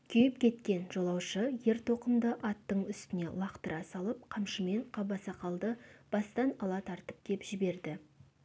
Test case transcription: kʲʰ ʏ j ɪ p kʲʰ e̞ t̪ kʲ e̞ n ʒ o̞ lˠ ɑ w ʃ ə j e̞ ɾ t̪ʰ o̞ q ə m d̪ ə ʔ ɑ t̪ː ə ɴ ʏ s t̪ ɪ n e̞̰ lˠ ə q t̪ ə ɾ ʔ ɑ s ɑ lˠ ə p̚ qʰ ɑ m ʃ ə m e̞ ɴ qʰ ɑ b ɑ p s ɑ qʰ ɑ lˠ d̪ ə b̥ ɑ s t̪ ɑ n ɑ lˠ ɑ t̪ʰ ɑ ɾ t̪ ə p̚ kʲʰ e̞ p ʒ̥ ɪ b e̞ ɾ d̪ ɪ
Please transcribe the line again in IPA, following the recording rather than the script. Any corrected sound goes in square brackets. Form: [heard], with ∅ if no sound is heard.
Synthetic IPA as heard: kʲʰ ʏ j ɪ p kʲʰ e̞ t̪ kʲ e̞ n ʒ o̞ lˠ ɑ w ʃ ə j e̞ ɾ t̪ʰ o̞ q ə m d̪ ə ʔ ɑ t̪ː ə ɴ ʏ s t̪ ɪ n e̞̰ lˠ [ɑ] q t̪ ə ɾ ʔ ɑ s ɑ lˠ ə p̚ qʰ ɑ m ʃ ə m e̞ ɴ qʰ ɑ b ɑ [∅] s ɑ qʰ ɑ lˠ d̪ ə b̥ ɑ s t̪ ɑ n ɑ lˠ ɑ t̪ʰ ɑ ɾ t̪ ə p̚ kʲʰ e̞ p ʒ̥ ɪ b e̞ ɾ d̪ ɪ

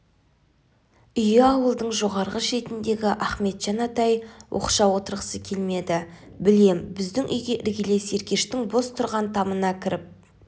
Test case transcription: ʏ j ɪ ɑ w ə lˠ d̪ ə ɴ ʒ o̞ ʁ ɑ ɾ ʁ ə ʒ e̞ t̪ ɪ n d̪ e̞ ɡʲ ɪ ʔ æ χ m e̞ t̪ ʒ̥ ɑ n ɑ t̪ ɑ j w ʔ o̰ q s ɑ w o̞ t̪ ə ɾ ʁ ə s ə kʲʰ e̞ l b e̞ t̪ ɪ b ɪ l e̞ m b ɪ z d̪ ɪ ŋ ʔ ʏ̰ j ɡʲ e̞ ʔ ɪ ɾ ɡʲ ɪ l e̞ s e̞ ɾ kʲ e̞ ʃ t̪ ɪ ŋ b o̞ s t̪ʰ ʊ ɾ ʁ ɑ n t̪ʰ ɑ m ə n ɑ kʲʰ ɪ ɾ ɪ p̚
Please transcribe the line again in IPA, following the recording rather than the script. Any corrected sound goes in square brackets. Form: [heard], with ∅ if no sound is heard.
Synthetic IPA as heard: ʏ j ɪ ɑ w ə lˠ d̪ ə ɴ ʒ o̞ ʁ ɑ ɾ ʁ ə [ʃ] e̞ t̪ ɪ n d̪ e̞ ɡʲ ɪ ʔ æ χ m e̞ t̪ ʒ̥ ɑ n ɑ t̪ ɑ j w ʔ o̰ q [ʃ] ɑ w o̞ t̪ ə ɾ ʁ ə s ə kʲʰ e̞ l [m] e̞ [d̪] ɪ b ɪ l e̞ m b ɪ z d̪ ɪ ŋ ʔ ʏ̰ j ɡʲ e̞ ʔ ɪ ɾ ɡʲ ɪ l e̞ s e̞ ɾ kʲ e̞ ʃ t̪ ɪ ŋ b o̞ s t̪ʰ ʊ ɾ ʁ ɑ n t̪ʰ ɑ m ə n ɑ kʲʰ ɪ ɾ ɪ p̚

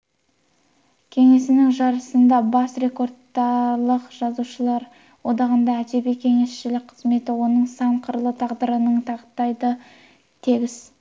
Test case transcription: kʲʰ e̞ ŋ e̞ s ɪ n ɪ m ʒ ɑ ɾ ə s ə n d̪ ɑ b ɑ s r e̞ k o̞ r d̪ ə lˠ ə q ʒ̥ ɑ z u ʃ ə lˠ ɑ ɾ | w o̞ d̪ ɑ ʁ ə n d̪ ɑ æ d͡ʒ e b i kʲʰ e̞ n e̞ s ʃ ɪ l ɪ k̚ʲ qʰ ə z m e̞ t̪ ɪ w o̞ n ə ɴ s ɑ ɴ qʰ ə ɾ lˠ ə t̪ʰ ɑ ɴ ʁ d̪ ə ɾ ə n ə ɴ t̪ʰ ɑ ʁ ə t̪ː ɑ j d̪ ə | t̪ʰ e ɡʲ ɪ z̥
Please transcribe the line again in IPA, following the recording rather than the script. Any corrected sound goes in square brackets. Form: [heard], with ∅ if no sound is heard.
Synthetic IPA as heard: kʲʰ e̞ ŋ e̞ s ɪ n ɪ [ŋ] ʒ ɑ ɾ ə s ə n d̪ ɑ b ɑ s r e̞ k o̞ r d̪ [ɑ] lˠ ə q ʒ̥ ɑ z u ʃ ə lˠ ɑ ɾ | w o̞ d̪ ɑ ʁ ə n d̪ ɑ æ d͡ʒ e b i kʲʰ e̞ [ŋ] e̞ s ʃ ɪ l ɪ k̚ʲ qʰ ə z m e̞ t̪ ɪ w o̞ n ə ɴ s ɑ ɴ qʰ ə ɾ lˠ ə t̪ʰ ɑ [∅] ʁ d̪ ə ɾ ə n ə ɴ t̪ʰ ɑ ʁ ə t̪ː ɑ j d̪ ə | t̪ʰ e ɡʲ ɪ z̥

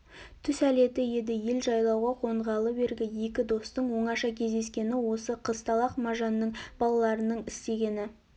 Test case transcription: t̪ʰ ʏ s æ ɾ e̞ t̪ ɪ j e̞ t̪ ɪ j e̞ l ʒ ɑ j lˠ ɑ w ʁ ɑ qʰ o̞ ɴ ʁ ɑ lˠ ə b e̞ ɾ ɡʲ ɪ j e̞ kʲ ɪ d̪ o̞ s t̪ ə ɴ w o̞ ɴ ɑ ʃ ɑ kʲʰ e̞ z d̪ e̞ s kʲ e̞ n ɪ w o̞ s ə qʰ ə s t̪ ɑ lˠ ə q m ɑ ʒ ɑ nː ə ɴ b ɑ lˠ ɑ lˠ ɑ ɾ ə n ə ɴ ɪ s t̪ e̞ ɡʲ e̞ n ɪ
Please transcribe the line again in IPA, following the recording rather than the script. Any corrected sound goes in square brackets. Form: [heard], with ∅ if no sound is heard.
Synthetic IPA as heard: t̪ʰ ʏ s æ [l] e̞ t̪ ɪ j e̞ [d̪] ɪ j e̞ l ʒ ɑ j lˠ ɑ w ʁ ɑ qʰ o̞ ɴ ʁ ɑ lˠ ə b e̞ ɾ ɡʲ ɪ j e̞ kʲ ɪ d̪ o̞ s t̪ ə ɴ w o̞ ɴ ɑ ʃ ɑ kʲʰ e̞ z d̪ e̞ s kʲ e̞ n ɪ w o̞ s ə qʰ ə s t̪ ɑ lˠ [ɑ] q m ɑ ʒ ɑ nː ə ɴ b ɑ lˠ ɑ lˠ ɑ ɾ ə n ə ɴ ɪ s t̪ e̞ ɡʲ e̞ n ɪ

